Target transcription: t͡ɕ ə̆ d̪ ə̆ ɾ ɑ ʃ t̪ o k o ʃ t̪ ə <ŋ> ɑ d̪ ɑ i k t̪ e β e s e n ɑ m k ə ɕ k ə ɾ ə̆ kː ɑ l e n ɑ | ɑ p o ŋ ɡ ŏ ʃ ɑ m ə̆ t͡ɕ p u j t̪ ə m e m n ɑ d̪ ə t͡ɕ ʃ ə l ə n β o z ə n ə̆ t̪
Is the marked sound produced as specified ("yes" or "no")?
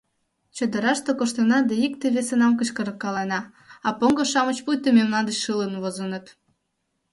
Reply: no